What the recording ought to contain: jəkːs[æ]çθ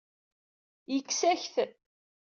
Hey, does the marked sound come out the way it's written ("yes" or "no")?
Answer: yes